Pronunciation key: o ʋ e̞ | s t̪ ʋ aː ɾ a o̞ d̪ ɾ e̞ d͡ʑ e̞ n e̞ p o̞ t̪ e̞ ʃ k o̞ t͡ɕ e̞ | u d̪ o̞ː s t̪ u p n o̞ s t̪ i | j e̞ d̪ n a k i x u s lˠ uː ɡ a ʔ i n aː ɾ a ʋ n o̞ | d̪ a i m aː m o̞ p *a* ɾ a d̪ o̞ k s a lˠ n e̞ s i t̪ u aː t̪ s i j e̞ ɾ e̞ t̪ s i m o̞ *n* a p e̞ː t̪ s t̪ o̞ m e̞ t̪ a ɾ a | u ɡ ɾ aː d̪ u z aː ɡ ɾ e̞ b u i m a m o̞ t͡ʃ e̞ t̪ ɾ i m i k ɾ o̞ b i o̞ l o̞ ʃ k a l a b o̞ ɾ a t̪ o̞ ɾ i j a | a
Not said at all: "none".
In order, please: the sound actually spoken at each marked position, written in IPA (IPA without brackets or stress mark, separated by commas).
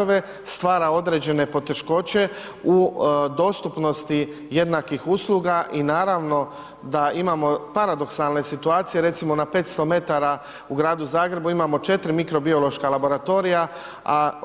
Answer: a, n